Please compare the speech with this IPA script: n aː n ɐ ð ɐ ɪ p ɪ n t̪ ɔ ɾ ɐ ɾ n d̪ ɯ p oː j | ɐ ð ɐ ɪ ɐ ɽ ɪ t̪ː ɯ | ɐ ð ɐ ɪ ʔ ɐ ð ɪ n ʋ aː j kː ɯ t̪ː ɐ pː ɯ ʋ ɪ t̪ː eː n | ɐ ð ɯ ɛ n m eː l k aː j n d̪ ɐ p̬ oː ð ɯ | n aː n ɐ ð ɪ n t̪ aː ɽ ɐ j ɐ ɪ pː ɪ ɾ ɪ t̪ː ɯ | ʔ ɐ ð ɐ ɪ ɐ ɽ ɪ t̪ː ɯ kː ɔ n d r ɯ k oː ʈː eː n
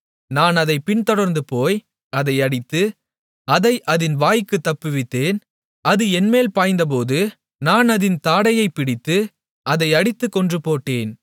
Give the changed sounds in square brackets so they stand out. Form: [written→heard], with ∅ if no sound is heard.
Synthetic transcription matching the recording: n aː n ɐ ð ɐ ɪ p ɪ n t̪ ɔ [ɾ→ɽ] ɐ ɾ n d̪ ɯ p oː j | ɐ ð ɐ ɪ ɐ ɽ ɪ t̪ː ɯ | ɐ ð ɐ ɪ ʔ ɐ ð ɪ n ʋ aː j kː ɯ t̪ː ɐ pː ɯ ʋ ɪ t̪ː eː n | ɐ ð ɯ ɛ n m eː l [k→p] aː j n d̪ ɐ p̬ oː ð ɯ | n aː n ɐ ð ɪ n t̪ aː ɽ ɐ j ɐ ɪ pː ɪ [ɾ→ɽ] ɪ t̪ː ɯ | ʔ ɐ ð ɐ ɪ ɐ ɽ ɪ t̪ː ɯ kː ɔ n d r ɯ [k→p] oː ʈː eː n